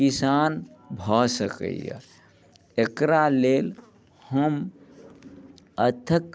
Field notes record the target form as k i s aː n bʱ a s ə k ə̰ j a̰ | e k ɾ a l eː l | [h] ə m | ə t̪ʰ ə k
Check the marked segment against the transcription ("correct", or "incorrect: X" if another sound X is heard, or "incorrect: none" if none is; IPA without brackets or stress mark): correct